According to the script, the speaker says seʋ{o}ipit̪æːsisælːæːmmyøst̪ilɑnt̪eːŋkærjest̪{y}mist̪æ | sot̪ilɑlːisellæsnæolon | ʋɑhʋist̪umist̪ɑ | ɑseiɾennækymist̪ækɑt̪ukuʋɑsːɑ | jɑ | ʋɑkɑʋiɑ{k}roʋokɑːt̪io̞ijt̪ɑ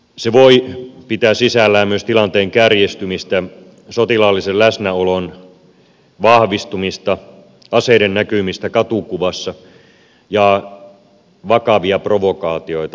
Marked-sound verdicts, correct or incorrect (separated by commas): correct, correct, incorrect